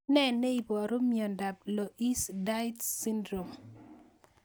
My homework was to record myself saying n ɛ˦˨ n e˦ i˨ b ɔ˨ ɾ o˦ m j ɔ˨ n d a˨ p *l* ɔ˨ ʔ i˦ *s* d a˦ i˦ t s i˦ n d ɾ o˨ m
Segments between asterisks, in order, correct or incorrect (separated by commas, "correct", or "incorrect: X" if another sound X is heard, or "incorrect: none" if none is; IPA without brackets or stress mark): correct, correct